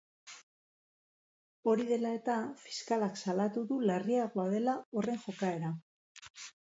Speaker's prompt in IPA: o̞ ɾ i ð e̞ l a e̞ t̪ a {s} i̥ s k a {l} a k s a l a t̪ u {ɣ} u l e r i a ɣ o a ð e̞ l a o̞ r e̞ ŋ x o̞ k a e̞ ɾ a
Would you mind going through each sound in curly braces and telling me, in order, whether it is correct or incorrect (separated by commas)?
incorrect, correct, incorrect